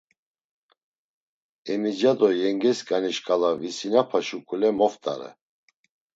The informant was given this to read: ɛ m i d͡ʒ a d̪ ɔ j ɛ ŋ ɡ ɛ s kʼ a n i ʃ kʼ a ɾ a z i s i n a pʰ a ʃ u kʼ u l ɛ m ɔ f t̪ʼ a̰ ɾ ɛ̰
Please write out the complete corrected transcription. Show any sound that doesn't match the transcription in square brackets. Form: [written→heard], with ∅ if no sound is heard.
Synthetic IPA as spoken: ɛ m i d͡ʒ a d̪ ɔ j ɛ ŋ ɡ ɛ s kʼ a n i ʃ kʼ a [ɾ→l] a [z→v] i s i n a pʰ a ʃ u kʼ u l ɛ m ɔ f t̪ʼ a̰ ɾ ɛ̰